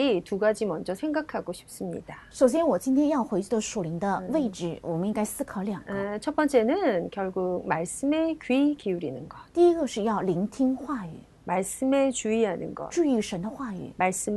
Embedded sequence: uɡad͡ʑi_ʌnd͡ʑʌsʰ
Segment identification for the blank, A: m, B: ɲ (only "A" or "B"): A